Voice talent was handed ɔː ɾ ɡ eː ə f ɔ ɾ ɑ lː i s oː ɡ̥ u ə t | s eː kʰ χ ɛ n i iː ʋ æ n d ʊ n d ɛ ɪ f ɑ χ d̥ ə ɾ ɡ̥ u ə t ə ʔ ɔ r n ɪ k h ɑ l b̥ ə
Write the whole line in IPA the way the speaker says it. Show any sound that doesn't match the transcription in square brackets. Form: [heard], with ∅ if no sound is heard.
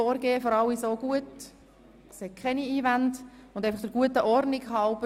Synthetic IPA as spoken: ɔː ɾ ɡ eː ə f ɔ ɾ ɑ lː i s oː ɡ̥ u ə t | s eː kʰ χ ɛ n i iː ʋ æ n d ʊ n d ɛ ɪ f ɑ χ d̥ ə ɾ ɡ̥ u ə t ə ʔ ɔ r n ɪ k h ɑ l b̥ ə